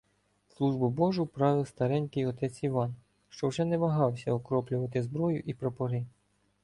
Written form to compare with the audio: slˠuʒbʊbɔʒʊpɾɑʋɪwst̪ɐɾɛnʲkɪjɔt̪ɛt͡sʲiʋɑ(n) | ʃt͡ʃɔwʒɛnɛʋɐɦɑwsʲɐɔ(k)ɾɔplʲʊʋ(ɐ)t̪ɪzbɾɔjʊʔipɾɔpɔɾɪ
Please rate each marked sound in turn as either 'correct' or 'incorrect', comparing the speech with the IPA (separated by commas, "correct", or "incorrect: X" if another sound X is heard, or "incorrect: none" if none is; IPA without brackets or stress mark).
correct, correct, correct